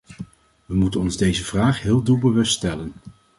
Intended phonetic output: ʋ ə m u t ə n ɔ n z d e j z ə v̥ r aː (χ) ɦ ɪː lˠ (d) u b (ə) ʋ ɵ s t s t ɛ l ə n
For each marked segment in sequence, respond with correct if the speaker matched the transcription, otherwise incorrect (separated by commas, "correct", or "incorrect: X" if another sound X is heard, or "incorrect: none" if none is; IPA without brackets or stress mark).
correct, correct, correct